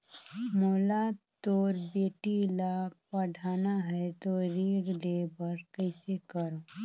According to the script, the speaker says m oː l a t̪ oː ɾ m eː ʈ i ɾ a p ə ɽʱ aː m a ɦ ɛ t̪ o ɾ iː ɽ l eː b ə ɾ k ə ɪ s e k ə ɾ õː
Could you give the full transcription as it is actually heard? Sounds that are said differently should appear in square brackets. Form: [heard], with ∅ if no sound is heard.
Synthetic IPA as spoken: m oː l a t̪ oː ɾ [b] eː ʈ i [l] a p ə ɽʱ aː [n] a ɦ ɛ t̪ o ɾ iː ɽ l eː b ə ɾ k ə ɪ s e k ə ɾ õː

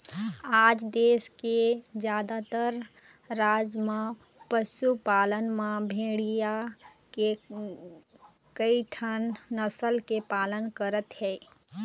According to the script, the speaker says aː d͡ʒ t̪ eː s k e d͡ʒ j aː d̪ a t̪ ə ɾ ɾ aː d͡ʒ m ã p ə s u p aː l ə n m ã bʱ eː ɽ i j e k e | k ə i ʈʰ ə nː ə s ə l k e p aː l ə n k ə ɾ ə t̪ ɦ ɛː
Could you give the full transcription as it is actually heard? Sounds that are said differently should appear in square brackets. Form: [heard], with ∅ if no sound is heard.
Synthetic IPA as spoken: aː d͡ʒ [d̪] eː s k e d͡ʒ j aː d̪ a t̪ ə ɾ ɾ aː d͡ʒ m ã p ə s u p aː l ə n m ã bʱ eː ɽ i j [a] k e | k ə i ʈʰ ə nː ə s ə l k e p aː l ə n k ə ɾ ə t̪ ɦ ɛː

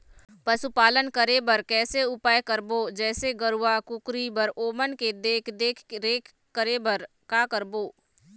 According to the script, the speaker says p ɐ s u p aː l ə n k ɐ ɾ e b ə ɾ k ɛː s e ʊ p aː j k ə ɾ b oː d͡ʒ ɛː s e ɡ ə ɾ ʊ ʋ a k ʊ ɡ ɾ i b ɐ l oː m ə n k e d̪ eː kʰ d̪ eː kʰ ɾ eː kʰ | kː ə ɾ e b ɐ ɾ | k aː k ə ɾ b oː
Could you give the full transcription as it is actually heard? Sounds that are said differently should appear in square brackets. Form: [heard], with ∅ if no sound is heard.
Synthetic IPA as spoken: p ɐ s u p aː l ə n k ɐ ɾ e b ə ɾ k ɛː s e ʊ p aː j k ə ɾ b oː d͡ʒ ɛː s e ɡ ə ɾ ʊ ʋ a k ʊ [k] ɾ i b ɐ [ɾ] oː m ə n k e d̪ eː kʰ d̪ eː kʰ ɾ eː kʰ | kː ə ɾ e b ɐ ɾ | k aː k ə ɾ b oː

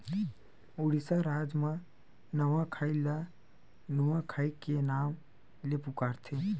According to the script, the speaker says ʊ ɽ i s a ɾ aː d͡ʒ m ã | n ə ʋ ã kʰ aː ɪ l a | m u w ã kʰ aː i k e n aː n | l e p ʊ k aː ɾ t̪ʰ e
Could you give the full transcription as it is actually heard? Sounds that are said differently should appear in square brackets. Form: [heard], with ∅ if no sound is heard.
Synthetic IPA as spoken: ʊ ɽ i s a ɾ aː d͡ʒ m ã | n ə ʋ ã kʰ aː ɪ l a | [n] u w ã kʰ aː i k e n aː [m] | l e p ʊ k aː ɾ t̪ʰ e

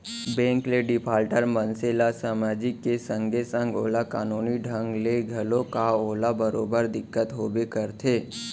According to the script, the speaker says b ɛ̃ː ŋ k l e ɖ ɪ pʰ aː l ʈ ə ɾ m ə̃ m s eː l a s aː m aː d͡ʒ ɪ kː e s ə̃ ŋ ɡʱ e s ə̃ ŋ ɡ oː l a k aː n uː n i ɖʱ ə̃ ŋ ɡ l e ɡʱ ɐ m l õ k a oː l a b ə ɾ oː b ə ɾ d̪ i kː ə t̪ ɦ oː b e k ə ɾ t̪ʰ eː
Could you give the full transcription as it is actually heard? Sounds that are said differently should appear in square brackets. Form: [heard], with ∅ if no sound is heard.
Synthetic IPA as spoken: b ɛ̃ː ŋ k l e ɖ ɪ pʰ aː l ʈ ə ɾ m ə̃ [n] s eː l a s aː m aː d͡ʒ ɪ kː e s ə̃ ŋ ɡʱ e s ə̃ ŋ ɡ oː l a k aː n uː n i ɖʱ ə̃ ŋ ɡ l e ɡʱ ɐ [∅] l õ k a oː l a b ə ɾ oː b ə ɾ d̪ [ɪ] kː ə t̪ ɦ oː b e k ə ɾ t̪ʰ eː

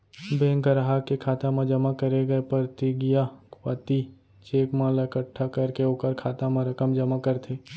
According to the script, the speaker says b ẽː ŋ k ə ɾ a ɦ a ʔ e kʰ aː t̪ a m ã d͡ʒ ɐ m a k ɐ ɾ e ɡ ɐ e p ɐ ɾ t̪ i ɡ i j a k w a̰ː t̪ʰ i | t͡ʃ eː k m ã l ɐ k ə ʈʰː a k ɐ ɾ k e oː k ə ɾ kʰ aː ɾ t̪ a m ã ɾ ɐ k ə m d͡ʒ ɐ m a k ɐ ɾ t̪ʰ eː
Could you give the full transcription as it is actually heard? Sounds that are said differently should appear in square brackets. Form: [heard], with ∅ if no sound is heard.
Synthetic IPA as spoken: b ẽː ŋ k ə ɾ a ɦ a [k] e kʰ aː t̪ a m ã d͡ʒ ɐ m a k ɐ ɾ e ɡ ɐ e p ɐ ɾ t̪ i ɡ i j a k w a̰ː [t̪] i | t͡ʃ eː k m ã l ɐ k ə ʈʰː a k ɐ ɾ k e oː k ə ɾ kʰ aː [∅] t̪ a m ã ɾ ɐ k ə m d͡ʒ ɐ m a k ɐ ɾ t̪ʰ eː

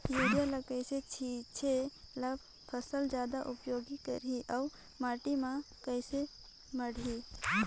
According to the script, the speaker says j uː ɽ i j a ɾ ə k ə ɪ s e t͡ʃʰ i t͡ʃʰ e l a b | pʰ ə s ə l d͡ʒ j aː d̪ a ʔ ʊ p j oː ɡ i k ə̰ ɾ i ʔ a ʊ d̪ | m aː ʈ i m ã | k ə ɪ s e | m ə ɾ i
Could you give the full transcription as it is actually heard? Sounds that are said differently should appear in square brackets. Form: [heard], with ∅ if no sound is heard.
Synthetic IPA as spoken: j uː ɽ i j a [l] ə k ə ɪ s e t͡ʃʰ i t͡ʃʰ e l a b | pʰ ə s ə l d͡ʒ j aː d̪ a ʔ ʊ p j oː ɡ i k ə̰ ɾ i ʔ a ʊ [∅] | m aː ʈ i m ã | k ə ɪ s e | m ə [ɽ] i

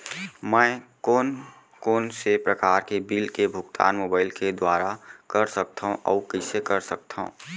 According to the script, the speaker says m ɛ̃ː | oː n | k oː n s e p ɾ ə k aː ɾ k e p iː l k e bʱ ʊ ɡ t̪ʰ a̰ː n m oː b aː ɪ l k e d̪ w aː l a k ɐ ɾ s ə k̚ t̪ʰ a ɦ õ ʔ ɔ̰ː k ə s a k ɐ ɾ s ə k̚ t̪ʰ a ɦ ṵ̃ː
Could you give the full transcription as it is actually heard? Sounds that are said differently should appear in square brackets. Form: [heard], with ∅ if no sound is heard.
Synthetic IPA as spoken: m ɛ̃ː | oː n | k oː n s e p ɾ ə k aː ɾ k e [b] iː l k e bʱ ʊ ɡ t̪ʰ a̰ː n m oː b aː ɪ l k e d̪ w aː [ɾ] a k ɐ ɾ s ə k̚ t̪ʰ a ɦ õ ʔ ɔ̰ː k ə s [e] k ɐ ɾ s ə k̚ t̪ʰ a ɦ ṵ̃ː

